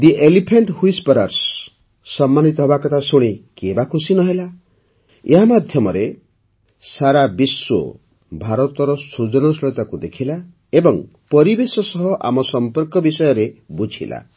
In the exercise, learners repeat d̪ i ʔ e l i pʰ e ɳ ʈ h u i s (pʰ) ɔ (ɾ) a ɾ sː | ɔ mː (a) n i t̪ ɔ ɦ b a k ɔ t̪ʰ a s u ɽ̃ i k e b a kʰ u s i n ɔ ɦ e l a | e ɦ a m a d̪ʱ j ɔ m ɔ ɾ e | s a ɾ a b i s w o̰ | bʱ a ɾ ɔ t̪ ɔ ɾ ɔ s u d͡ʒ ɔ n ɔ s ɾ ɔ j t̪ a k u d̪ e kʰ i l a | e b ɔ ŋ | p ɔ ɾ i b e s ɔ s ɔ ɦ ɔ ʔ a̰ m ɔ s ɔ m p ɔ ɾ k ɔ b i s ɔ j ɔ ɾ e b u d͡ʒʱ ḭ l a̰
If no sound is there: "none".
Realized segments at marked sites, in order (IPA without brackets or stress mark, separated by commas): p, ɾ, a